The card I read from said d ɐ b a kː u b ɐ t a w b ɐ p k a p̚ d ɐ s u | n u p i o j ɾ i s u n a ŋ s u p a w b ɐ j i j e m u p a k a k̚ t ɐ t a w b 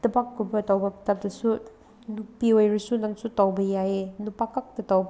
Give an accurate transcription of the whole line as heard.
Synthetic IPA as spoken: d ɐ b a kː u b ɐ t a w b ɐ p t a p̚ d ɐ s u | n u p i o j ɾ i s u n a ŋ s u t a w b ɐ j a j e n u p a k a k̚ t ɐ t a w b